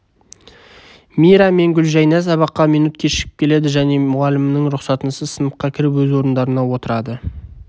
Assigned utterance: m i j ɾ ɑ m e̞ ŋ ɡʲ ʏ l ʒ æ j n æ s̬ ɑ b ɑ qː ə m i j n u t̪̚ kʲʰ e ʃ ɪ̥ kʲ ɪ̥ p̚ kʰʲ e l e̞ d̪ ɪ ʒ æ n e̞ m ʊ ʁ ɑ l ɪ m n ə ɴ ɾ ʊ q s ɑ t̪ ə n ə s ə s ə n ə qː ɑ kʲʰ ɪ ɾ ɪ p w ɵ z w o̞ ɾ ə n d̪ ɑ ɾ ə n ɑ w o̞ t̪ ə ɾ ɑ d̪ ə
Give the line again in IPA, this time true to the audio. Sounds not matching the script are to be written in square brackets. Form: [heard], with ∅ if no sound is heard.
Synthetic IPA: m i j ɾ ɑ m e̞ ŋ ɡʲ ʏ l ʒ æ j n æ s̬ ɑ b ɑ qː [ɑ] m i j n u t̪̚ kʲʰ e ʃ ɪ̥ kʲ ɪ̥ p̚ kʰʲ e l e̞ d̪ ɪ ʒ æ n e̞ m ʊ ʁ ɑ l ɪ m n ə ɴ ɾ ʊ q s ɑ t̪ ə n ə s ə s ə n ə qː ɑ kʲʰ ɪ ɾ ɪ p w ɵ z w o̞ ɾ ə n d̪ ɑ ɾ ə n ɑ w o̞ t̪ ə ɾ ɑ d̪ ə